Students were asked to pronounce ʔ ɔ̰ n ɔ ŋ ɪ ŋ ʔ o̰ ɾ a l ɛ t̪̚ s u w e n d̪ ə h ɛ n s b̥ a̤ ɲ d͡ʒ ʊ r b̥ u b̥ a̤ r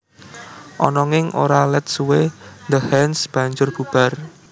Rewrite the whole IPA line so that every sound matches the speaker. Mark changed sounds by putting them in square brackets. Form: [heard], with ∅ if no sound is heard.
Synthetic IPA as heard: ʔ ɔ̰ n ɔ ŋ ɪ ŋ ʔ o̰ ɾ a l ɛ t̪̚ s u w e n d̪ ə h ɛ n s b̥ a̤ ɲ d͡ʒ ʊ r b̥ u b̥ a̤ r